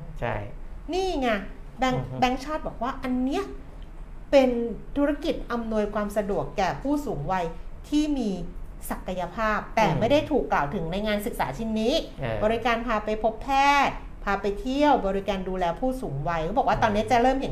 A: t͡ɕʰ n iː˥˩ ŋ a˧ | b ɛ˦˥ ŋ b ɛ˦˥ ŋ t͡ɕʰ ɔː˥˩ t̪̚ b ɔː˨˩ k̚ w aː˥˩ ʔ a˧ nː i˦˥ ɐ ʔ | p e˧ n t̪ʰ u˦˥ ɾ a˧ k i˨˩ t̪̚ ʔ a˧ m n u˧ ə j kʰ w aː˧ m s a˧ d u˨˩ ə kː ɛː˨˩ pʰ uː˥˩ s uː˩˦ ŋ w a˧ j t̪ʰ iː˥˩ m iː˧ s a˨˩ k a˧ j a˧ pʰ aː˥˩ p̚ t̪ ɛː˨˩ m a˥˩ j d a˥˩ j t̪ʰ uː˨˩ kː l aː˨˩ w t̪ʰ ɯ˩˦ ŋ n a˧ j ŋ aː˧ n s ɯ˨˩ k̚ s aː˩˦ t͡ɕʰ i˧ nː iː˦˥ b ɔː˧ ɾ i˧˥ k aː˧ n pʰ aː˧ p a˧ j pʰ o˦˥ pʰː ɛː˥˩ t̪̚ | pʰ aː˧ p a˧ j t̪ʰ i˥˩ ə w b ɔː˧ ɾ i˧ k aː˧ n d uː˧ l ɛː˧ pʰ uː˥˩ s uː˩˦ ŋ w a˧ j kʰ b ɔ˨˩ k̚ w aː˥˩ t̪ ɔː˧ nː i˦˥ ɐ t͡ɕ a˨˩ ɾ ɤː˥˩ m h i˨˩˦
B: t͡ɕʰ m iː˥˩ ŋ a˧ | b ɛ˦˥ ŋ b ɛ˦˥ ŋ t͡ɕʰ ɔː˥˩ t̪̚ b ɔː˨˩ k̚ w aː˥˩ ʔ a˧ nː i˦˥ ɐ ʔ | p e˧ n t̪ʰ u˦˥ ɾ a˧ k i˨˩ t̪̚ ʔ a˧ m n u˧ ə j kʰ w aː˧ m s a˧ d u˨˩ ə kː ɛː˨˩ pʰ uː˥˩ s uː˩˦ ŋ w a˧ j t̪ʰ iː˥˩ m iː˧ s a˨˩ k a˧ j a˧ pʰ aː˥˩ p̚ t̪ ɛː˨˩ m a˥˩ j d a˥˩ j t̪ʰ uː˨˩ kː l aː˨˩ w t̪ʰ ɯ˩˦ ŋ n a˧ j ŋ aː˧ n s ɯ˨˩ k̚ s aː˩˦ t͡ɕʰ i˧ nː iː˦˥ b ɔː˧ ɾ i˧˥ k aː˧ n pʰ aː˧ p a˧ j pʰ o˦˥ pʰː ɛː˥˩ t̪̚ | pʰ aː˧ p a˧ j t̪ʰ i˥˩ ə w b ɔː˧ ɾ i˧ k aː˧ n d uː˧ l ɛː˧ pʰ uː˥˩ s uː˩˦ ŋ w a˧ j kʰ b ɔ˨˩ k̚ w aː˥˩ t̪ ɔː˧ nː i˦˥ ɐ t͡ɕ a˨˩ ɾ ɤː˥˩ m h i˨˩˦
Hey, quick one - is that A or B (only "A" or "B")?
A